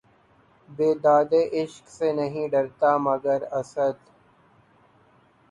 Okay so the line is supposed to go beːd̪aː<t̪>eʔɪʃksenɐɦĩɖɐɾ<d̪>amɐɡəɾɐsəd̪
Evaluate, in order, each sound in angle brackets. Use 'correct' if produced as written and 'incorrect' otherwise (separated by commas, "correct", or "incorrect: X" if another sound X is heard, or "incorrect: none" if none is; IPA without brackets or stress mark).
incorrect: d̪, incorrect: t̪